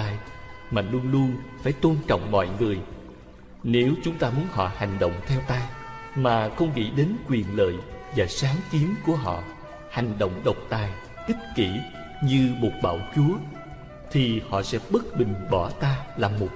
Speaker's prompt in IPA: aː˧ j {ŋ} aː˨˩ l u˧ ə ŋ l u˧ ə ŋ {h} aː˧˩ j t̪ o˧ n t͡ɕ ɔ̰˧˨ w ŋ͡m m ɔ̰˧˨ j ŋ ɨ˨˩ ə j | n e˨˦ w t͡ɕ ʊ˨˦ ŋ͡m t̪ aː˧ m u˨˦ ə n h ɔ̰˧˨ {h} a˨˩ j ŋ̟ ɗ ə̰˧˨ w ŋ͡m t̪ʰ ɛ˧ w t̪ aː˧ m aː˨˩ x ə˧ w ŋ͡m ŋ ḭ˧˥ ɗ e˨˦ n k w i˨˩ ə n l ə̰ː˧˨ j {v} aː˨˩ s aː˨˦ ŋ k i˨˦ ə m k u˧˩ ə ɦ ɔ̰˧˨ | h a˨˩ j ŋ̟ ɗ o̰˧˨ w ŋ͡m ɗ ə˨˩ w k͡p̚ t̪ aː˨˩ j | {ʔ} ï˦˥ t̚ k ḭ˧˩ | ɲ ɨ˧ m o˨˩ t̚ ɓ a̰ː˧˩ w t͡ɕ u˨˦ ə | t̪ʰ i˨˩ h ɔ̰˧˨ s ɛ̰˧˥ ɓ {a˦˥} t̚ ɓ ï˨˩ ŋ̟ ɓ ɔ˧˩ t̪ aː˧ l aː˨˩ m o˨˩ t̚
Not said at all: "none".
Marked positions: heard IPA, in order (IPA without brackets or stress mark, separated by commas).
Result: m, f, h, v, ʔ, ə˦˥